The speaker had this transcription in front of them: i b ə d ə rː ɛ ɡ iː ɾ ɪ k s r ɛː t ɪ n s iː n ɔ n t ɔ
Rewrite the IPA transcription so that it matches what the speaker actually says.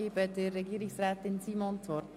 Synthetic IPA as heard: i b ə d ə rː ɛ ɡ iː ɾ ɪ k s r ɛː t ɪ n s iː m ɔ n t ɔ

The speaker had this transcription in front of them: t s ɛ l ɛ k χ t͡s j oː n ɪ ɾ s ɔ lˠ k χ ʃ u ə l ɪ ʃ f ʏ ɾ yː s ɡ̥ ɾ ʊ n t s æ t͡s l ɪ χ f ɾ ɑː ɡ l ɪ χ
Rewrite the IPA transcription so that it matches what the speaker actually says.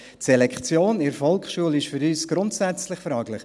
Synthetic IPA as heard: t s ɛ l ɛ k χ t͡s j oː n ɪ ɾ f ɔ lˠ k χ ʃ u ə l ɪ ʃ f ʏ ɾ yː s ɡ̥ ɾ ʊ n t s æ t͡s l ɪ χ f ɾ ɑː ɡ l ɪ χ

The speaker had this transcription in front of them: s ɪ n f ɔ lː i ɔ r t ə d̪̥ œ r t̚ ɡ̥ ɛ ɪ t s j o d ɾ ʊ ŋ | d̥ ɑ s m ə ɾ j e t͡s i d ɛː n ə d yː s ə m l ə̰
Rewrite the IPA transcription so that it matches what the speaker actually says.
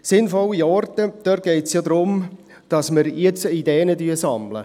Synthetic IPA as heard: s ɪ n f ɔ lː i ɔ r t ə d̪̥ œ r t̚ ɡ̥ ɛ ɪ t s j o d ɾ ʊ m | d̥ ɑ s m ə ɾ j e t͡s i d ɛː n ə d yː s ɑ m l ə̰

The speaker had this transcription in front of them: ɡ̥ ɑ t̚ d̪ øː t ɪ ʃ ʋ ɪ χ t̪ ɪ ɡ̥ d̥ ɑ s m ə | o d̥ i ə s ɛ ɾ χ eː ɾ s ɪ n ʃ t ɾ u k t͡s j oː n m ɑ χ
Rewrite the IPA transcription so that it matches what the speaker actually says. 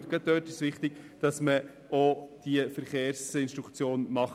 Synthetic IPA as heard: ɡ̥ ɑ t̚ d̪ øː t ɪ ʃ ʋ ɪ χ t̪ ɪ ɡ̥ d̥ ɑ s m ə | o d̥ i ə f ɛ ɾ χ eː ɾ s ɪ n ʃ t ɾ u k t͡s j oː n m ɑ χ

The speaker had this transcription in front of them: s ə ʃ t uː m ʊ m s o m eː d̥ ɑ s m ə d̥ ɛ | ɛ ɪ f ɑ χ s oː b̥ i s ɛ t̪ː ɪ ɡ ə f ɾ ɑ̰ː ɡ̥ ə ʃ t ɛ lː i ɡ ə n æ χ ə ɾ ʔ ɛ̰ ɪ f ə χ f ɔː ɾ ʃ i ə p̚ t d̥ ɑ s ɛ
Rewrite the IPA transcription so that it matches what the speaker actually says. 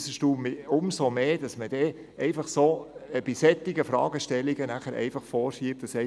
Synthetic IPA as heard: s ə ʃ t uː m ʊ m s o m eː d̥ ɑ s m ə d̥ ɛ | ɛ ɪ f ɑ χ s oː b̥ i s ɛ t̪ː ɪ ɡ ə f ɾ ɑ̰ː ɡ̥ ə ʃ t ɛ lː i ɡ ə n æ χ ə ɾ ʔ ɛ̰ ɪ f ɑ χ f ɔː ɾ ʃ i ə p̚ t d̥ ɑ s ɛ

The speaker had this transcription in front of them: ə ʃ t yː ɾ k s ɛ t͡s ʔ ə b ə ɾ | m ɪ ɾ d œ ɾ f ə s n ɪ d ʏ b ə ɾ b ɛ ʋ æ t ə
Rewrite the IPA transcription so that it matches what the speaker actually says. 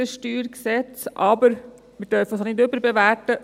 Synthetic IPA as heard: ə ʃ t yː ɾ k s ɛ t͡s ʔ ɑ b ə ɾ | m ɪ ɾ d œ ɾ f ə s n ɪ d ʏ b ə ɾ b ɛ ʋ æ t ə

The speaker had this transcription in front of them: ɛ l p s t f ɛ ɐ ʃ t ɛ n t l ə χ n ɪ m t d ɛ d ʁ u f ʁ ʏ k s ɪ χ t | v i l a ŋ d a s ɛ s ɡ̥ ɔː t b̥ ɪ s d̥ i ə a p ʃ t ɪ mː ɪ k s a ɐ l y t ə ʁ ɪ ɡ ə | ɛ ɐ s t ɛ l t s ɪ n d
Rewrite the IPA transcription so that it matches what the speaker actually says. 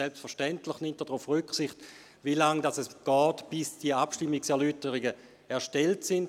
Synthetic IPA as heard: ɛ l p s t f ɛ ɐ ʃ t ɛ n t l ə χ n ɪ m t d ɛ d ʁ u f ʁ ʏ k s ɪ χ t | v i l a ŋ d a s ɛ s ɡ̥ ɔː t b̥ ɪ s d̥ i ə a p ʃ t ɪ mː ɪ k s ɛ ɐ l y t ə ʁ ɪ ɡ ə | ɛ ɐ ʃ t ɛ l t s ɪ n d

